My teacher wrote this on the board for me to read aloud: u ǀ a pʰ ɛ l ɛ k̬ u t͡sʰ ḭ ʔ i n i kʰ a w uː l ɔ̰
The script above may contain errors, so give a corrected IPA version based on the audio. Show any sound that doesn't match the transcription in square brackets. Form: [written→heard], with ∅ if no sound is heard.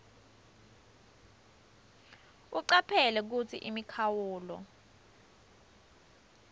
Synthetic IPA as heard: u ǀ a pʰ ɛ l ɛ k̬ u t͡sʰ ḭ ʔ i [n→m] i kʰ a w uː l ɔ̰